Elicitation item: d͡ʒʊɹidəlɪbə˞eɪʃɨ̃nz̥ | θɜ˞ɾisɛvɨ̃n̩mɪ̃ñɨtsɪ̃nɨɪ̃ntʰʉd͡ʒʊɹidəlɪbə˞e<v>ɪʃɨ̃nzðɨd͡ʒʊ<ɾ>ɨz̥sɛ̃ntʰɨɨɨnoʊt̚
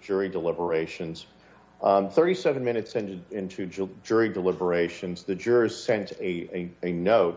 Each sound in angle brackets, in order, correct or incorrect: incorrect: none, incorrect: ɹ

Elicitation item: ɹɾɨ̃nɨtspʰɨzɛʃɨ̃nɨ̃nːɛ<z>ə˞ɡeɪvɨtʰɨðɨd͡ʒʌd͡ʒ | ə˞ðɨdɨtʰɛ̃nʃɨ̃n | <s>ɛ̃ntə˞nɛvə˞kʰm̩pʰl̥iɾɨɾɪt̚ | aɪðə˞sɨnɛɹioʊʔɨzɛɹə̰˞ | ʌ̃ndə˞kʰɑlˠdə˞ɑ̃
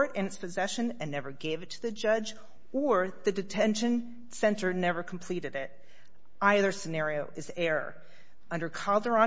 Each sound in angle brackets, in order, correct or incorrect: incorrect: v, correct

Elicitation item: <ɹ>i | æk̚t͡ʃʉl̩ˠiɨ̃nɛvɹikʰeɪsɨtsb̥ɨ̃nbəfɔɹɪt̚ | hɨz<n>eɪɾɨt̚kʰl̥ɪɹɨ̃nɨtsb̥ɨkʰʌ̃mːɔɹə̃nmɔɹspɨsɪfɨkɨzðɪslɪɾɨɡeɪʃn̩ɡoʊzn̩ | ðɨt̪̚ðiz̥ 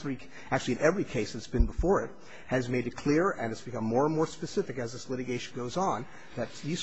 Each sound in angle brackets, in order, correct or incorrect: correct, incorrect: m

